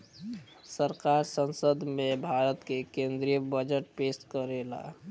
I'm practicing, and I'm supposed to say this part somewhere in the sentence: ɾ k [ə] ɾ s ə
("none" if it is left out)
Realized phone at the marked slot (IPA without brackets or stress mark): a